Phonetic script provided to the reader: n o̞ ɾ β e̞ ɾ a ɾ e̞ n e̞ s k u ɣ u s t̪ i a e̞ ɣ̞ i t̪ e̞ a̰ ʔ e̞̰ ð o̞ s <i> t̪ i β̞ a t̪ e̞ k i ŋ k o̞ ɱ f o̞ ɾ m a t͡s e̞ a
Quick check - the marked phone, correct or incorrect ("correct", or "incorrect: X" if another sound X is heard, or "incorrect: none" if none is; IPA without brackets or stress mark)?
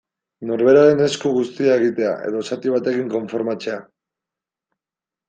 incorrect: a